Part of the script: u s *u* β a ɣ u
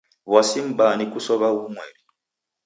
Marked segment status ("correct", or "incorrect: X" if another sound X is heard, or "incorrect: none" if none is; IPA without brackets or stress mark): incorrect: ɔ